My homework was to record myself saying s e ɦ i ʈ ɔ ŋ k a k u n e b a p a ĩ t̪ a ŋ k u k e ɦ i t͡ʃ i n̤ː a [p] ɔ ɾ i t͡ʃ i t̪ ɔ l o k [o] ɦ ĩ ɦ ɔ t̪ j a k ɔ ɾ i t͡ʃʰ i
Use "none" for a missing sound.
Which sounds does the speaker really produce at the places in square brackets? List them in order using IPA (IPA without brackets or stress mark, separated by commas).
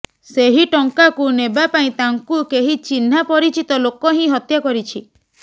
p, ɔ